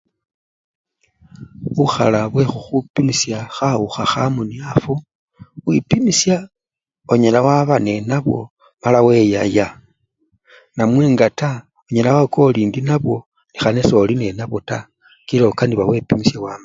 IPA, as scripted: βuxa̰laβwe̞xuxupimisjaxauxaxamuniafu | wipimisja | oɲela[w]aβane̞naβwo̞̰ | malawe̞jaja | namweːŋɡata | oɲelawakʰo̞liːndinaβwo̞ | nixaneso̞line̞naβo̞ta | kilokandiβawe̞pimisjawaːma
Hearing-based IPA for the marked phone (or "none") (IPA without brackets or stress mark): w